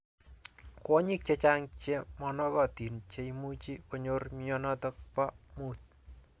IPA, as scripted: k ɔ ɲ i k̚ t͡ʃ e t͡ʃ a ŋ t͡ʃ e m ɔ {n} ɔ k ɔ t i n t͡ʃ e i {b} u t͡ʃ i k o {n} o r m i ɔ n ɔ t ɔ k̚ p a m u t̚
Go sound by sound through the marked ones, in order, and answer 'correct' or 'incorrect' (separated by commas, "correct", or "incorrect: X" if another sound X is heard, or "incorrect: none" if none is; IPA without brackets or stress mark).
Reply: correct, incorrect: m, incorrect: ɲ